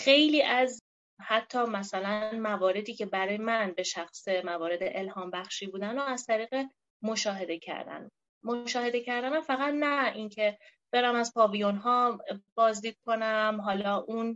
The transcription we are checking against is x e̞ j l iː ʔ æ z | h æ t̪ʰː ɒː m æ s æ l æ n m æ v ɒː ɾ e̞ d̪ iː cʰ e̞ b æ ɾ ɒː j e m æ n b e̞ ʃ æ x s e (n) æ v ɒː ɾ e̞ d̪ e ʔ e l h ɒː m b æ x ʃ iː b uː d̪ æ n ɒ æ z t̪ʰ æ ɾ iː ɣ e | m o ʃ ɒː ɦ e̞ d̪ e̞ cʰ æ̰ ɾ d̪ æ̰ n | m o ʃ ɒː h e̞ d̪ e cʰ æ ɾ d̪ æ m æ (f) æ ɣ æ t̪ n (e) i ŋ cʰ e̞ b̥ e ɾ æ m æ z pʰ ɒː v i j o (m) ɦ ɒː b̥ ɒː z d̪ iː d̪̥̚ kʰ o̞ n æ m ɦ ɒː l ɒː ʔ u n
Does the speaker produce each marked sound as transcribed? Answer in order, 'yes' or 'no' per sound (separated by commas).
no, yes, no, no